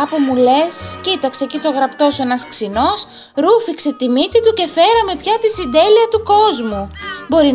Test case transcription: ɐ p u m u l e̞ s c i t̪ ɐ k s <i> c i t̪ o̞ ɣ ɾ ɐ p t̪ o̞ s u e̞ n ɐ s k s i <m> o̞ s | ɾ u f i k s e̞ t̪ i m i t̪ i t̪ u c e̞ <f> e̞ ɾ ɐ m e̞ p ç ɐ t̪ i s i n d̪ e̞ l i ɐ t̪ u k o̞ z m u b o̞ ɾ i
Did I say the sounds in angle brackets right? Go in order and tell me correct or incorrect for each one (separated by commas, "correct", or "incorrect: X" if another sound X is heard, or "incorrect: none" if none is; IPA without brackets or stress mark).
incorrect: e, incorrect: n, correct